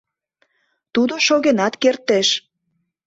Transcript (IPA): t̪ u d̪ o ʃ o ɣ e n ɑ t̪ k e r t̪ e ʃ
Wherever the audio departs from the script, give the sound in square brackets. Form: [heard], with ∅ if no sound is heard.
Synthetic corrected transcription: t̪ u d̪ o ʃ o ɣ e n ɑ t̪ k e r t̪ e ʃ